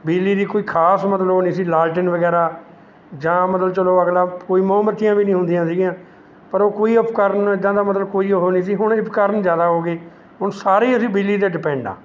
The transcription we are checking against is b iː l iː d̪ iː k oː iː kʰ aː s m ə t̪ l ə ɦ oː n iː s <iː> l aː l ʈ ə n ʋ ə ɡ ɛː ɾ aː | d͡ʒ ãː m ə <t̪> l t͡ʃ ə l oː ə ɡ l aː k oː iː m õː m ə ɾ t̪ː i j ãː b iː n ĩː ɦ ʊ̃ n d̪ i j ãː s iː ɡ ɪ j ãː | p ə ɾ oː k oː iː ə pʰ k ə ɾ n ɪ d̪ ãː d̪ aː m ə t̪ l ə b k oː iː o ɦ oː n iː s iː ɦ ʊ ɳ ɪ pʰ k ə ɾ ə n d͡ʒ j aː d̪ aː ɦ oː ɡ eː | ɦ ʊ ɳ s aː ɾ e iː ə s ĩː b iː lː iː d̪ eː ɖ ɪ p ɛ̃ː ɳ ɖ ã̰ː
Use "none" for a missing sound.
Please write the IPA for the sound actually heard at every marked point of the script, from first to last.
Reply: iː, t̪

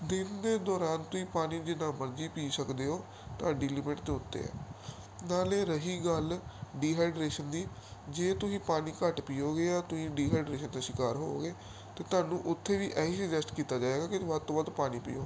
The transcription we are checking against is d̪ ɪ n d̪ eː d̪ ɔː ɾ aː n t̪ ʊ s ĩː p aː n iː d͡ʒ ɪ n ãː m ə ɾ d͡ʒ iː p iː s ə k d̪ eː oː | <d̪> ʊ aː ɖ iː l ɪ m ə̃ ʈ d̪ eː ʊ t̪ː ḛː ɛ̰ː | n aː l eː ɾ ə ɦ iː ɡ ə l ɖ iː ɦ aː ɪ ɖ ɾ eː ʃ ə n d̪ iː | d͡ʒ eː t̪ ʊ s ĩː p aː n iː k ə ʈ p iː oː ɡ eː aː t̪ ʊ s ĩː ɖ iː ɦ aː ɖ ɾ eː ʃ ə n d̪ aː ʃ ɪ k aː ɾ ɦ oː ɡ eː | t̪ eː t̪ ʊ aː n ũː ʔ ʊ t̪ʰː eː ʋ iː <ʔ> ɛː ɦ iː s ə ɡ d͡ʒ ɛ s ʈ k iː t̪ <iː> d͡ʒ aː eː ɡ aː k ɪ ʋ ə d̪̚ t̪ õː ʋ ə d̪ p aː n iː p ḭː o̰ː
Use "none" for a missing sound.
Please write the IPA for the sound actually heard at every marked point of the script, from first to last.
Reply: t̪, ʔ, aː

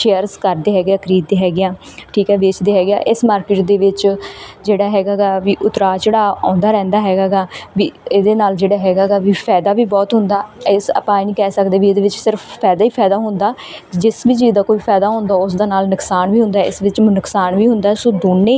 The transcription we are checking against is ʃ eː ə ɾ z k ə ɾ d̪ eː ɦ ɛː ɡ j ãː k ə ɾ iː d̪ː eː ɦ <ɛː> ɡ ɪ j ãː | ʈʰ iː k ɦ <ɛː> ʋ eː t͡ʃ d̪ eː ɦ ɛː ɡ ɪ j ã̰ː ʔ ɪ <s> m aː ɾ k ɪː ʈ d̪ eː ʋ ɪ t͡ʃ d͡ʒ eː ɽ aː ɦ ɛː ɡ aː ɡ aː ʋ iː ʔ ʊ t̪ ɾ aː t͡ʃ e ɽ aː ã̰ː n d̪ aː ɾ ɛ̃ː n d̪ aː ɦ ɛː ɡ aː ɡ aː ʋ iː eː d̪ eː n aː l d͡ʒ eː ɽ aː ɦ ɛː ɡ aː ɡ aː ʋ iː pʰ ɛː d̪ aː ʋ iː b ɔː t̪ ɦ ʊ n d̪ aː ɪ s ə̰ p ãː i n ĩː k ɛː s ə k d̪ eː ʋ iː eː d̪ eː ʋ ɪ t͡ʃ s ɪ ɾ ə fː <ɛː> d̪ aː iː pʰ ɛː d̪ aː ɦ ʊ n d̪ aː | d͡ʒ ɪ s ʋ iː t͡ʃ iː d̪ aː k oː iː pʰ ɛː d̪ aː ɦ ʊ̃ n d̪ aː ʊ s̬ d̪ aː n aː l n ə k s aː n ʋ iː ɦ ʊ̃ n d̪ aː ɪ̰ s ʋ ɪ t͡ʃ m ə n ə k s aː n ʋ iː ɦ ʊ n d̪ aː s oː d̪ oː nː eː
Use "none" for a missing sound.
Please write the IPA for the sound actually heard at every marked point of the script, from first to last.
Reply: ɛː, ɛː, s, ɛː

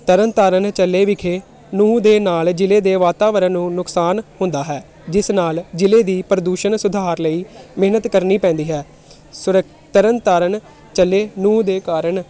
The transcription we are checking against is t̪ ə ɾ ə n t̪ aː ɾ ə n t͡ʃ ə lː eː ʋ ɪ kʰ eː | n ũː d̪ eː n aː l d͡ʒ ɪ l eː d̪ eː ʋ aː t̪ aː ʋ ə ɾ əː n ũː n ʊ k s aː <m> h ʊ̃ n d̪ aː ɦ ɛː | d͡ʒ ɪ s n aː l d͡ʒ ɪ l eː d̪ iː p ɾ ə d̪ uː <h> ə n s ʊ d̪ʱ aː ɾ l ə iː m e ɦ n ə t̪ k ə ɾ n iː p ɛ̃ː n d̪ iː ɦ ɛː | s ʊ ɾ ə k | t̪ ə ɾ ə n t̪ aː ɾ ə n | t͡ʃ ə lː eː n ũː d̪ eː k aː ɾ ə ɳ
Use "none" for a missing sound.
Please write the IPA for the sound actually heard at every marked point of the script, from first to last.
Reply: n, ʃ

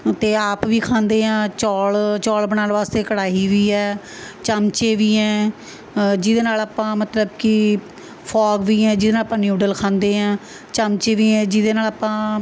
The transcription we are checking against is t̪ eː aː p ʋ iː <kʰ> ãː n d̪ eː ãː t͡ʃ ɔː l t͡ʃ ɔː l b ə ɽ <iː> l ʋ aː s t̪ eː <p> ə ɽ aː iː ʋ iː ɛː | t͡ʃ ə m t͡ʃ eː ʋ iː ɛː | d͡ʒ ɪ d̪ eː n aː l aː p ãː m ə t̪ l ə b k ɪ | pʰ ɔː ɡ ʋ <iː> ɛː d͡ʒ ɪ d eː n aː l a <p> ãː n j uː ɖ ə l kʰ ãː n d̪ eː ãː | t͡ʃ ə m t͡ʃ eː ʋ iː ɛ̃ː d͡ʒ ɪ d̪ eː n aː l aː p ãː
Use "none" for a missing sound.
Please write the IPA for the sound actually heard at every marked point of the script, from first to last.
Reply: kʰ, aː, k, iː, p

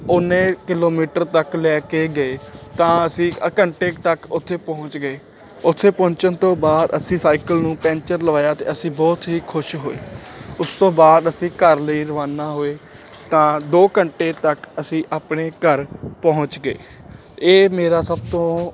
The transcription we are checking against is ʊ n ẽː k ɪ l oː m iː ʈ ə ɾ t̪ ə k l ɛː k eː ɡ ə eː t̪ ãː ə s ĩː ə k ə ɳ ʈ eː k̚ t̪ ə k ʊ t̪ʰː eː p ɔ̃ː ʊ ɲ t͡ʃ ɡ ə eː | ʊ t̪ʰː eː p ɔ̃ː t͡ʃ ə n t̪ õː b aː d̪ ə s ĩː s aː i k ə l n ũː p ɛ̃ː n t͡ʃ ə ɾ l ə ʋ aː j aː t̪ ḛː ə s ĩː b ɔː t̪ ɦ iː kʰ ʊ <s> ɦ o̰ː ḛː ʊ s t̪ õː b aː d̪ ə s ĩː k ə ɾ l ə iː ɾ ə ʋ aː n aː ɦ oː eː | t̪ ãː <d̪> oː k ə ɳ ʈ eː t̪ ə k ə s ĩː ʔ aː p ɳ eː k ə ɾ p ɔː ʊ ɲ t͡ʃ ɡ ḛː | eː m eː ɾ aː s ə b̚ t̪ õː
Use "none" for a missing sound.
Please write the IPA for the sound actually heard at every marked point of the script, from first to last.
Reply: ʃ, d̪

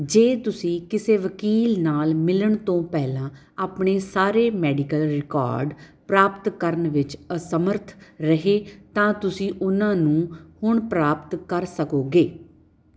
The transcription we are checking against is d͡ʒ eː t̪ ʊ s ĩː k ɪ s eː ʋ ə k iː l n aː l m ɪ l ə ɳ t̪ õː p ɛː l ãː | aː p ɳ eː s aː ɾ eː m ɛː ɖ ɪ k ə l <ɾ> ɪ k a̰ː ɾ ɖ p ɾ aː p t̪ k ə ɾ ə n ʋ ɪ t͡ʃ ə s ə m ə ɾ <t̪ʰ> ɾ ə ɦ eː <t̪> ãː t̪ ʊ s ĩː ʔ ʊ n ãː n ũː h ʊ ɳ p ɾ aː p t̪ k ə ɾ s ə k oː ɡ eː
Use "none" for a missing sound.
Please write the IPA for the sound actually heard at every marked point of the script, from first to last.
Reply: ɾ, t̪ʰ, t̪

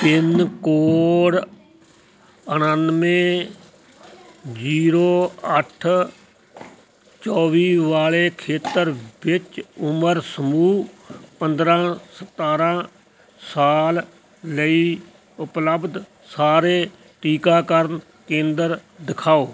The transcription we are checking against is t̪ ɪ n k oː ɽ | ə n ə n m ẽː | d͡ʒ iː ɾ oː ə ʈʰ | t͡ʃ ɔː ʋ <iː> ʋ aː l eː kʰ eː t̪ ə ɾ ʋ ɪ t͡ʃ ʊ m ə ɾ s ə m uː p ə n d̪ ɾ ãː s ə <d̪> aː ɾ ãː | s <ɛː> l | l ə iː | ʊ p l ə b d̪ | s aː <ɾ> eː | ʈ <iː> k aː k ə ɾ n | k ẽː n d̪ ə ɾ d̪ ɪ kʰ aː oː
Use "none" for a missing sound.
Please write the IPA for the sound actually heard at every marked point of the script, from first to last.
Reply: iː, t̪, aː, ɾ, iː

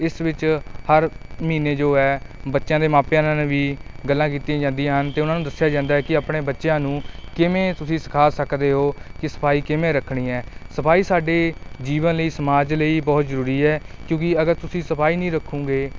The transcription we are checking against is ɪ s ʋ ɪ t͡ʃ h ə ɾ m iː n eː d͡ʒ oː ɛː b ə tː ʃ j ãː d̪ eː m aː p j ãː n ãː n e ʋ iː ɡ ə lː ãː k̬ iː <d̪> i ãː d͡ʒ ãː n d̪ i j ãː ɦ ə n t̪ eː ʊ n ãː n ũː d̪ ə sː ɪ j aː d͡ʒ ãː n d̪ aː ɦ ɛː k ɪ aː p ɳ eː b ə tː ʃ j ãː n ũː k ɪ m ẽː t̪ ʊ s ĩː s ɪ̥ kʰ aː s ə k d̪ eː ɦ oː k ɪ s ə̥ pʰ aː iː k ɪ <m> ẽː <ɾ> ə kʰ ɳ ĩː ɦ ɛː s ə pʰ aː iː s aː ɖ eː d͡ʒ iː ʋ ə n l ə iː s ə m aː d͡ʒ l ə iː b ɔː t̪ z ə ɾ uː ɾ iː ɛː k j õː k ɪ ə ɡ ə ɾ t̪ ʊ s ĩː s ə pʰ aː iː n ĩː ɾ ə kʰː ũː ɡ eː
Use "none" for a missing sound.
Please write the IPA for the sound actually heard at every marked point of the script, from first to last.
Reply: t̪, m, ɾ

